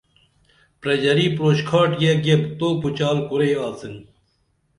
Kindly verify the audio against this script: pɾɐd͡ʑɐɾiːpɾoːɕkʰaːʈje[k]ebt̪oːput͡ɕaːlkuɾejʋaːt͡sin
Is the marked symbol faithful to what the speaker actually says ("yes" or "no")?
no